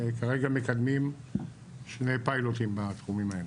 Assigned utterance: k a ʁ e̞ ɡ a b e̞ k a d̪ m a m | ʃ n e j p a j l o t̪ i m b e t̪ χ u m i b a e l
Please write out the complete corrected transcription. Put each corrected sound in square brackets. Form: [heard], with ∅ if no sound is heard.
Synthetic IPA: k a ʁ e̞ ɡ a [m] e̞ k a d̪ m [i] m | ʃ n e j p a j l o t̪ i m b [a] t̪ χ u m i [m] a e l